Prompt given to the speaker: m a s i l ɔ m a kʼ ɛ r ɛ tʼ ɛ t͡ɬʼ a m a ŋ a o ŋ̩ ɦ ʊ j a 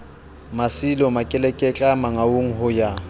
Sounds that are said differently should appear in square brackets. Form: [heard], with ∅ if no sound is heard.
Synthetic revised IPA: m a s i l ɔ m a kʼ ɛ [l] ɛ [kʼ] ɛ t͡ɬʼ a m a ŋ a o ŋ̩ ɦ ʊ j a